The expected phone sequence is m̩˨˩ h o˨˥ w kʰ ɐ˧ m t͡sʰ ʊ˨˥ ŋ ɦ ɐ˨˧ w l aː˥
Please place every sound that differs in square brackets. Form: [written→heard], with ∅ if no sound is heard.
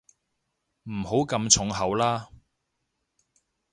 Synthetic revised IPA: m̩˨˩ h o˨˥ w [kʰ→k] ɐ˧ m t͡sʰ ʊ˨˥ ŋ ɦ ɐ˨˧ w l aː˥